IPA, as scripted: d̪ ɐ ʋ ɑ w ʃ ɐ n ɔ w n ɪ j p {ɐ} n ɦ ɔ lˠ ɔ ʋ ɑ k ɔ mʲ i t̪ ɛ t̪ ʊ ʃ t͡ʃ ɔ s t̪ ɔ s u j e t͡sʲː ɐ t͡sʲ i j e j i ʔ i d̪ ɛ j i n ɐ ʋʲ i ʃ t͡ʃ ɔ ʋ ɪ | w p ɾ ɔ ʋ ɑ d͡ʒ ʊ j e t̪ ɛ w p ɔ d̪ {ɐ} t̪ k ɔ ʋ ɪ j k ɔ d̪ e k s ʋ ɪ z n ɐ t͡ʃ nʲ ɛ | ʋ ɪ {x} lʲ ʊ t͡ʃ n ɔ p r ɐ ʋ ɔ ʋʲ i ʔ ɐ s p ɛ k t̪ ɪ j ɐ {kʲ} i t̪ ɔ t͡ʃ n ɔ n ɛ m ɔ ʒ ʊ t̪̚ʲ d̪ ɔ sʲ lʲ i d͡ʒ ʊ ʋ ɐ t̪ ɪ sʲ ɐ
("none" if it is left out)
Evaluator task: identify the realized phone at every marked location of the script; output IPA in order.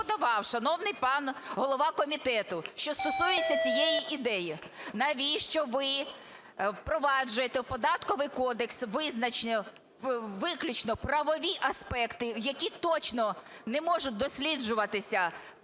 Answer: ɑ, ɑ, k, kʲ

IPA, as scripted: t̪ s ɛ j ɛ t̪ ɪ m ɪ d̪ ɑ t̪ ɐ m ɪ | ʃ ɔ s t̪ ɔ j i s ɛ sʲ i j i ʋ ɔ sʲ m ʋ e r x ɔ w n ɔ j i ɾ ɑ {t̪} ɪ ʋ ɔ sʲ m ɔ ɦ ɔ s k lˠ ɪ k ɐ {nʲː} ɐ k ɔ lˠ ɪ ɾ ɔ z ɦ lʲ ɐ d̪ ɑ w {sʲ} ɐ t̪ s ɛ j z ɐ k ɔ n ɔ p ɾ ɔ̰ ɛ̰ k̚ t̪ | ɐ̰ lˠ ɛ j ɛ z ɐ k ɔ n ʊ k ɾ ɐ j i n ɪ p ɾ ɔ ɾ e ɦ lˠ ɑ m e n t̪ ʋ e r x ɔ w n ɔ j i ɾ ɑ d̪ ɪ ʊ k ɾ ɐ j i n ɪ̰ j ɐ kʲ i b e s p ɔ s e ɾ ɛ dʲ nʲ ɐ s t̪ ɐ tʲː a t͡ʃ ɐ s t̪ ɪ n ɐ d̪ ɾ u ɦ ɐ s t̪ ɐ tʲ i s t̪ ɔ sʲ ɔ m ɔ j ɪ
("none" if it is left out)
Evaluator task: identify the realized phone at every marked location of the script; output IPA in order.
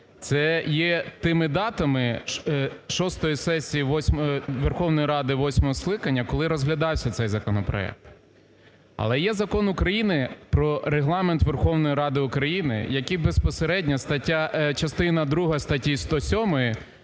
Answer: d̪, nʲː, sʲ

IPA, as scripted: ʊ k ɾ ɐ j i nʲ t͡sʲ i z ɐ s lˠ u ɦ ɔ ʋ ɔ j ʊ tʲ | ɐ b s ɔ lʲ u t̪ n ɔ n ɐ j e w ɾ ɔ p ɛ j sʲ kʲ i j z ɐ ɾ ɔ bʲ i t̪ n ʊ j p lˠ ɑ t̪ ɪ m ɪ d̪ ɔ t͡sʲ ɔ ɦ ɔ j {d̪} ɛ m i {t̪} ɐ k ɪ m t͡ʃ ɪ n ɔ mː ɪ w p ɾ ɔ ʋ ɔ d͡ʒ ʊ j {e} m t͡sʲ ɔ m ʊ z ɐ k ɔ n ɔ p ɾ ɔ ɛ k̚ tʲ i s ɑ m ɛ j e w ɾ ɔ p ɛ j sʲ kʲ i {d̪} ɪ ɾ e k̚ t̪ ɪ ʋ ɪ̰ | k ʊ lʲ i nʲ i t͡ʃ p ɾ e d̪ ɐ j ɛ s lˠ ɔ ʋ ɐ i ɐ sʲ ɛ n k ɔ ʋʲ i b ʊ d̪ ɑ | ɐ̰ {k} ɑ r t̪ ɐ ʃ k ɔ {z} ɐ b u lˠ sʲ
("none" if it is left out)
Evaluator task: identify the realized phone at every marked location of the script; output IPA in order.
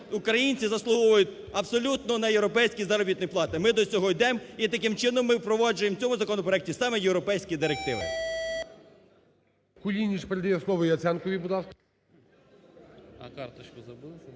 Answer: d̪, t̪, e, d̪, k, z

